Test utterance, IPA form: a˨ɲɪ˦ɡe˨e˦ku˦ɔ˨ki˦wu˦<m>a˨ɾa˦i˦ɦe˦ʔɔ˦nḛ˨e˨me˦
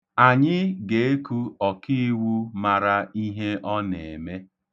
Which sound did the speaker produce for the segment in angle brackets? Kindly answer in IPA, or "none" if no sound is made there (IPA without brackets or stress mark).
m